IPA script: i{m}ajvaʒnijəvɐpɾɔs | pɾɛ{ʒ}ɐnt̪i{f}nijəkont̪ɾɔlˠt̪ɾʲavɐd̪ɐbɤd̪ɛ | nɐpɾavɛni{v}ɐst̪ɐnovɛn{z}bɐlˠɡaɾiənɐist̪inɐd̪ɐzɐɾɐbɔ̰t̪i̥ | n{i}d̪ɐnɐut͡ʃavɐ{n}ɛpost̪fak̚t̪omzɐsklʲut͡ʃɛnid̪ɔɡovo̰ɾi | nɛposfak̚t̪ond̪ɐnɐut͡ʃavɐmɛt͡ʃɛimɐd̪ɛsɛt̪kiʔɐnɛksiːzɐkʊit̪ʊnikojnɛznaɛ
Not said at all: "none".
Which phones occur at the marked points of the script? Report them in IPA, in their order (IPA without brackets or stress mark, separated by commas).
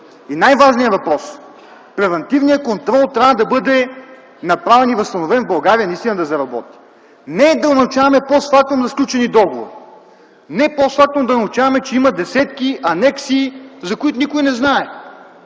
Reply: n, v, v, v, v, ɛ, m